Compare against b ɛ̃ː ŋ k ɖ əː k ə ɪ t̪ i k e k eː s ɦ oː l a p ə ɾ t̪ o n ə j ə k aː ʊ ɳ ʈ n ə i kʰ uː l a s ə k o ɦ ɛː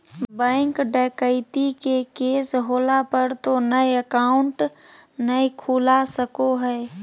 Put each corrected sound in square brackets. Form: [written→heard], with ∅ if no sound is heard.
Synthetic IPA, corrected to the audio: b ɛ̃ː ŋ k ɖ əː k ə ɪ t̪ i k e k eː s ɦ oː l a p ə ɾ t̪ o n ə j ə k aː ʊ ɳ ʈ n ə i kʰ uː l a s ə k o ɦ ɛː